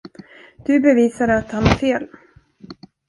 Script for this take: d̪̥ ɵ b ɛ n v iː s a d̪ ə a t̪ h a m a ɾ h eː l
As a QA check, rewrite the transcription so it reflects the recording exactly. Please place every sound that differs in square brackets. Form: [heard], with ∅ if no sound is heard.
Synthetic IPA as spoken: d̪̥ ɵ b ɛ [∅] v iː s a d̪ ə a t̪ h a [n] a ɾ [f] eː l

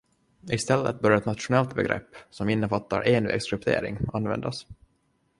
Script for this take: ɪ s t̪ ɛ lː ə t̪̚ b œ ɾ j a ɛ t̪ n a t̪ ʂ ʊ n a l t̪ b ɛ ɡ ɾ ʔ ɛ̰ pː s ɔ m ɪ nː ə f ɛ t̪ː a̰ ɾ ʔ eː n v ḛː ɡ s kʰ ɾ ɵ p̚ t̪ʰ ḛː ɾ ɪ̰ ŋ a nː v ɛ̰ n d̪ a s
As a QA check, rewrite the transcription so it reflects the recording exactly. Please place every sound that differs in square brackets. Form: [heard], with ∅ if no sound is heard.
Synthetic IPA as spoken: ɪ s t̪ ɛ lː ə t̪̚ b œ ɾ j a ɛ t̪ n a t̪ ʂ ʊ n [ɛ] l t̪ b ɛ ɡ ɾ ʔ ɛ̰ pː s ɔ m ɪ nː ə f [a] t̪ː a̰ ɾ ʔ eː n v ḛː ɡ s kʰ ɾ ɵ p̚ t̪ʰ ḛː ɾ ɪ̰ ŋ a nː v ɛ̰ n d̪ a s

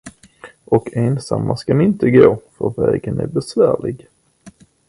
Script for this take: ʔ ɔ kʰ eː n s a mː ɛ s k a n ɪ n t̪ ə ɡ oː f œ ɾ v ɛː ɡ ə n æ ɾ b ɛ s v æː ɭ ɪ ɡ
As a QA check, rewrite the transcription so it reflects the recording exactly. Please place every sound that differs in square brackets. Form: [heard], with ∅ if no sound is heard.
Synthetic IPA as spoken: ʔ ɔ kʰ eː n s a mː [a] s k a n ɪ n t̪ ə ɡ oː f œ ɾ v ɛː ɡ ə n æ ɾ b ɛ s v æː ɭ ɪ ɡ

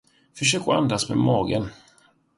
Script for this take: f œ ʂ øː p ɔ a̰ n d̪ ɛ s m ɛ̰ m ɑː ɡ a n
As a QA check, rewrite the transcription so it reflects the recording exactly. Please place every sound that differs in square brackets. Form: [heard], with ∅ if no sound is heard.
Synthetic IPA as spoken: f œ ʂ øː [k] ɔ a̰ n d̪ [a] s m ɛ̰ m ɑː ɡ [ə] n

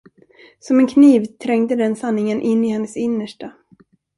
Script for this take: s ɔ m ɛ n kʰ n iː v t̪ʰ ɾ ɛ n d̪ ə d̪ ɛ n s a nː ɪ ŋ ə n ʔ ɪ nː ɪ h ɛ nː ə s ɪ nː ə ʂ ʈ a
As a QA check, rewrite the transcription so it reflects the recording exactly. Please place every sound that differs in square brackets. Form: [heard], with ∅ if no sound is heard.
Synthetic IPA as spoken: s ɔ m ɛ n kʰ n iː v t̪ʰ ɾ ɛ [ŋ] d̪ ə d̪ ɛ n s a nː ɪ ŋ ə n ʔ ɪ nː ɪ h ɛ nː ə s ɪ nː ə ʂ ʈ a

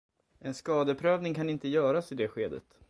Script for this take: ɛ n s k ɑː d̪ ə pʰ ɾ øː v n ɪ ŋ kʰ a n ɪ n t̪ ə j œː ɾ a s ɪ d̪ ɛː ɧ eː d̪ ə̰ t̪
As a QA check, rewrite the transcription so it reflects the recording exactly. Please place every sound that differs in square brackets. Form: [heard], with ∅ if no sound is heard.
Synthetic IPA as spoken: ɛ n s k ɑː d̪ ə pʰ ɾ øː v n ɪ ŋ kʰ a n ɪ n t̪ ə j œː ɾ a s ɪ d̪ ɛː ɧ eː d̪ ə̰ t̪

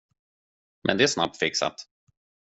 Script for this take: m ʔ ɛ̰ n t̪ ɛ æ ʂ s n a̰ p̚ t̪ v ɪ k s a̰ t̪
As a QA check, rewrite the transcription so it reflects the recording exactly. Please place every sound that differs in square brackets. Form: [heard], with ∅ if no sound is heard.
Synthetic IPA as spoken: m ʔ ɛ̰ n [d̪] ɛ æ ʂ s n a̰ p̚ t̪ [f] ɪ k s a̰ t̪

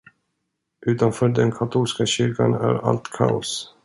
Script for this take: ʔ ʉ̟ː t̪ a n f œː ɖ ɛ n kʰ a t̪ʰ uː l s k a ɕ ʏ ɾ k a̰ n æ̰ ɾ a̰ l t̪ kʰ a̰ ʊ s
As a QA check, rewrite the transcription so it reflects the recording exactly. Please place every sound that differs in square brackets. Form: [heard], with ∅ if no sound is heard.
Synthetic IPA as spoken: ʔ ʉ̟ː t̪ a n f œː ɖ ɛ n kʰ a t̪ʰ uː l s k a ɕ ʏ ɾ k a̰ n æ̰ ɾ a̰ l t̪ kʰ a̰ ʊ s

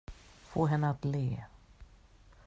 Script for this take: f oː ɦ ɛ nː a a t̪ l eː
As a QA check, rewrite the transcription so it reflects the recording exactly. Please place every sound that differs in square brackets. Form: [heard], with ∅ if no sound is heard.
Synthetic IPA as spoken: f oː ɦ ɛ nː [ə] a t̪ l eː

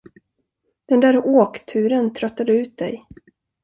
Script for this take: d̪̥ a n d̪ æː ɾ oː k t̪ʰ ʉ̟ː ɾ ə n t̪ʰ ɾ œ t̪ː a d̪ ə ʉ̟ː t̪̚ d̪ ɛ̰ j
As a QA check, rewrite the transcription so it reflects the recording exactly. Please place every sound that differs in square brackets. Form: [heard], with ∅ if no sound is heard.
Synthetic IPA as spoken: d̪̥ [ɛ] n d̪ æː ɾ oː k t̪ʰ ʉ̟ː ɾ ə n t̪ʰ ɾ œ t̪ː a d̪ ə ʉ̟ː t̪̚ d̪ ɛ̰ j

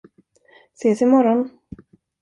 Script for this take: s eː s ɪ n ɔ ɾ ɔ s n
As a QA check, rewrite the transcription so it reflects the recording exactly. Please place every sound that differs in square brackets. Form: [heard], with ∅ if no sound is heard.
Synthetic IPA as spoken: s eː s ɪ [m] ɔ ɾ ɔ [∅] n

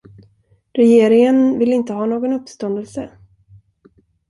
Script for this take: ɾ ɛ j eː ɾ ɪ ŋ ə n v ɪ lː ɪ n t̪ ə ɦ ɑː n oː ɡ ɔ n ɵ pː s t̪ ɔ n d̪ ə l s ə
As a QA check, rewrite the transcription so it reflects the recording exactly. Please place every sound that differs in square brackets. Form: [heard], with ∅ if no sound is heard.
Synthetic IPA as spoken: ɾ ɛ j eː ɾ ɪ ŋ ə n v ɪ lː ɪ n t̪ ə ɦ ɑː n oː ɡ ɔ n ɵ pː s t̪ ɔ n d̪ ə l s ə

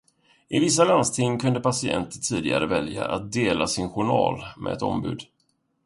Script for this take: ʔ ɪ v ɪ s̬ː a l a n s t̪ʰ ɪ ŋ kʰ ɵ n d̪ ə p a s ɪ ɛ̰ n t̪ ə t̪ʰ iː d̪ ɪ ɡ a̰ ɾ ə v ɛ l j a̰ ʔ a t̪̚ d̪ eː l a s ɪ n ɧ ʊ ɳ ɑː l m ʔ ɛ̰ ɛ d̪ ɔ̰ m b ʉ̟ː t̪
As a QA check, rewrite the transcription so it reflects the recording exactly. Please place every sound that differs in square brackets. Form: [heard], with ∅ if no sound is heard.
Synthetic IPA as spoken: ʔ ɪ v ɪ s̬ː a l a n s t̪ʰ ɪ ŋ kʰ ɵ n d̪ ə p a s ɪ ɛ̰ n t̪ ə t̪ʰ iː d̪ ɪ ɡ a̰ ɾ ə v ɛ l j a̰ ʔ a t̪̚ d̪ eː l a s ɪ n ɧ ʊ ɳ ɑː l m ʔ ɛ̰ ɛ [t̪] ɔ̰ m b ʉ̟ː [d̪]

